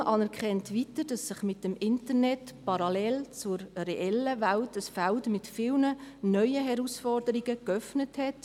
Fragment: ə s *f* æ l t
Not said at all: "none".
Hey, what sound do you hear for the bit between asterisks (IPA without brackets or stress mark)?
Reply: f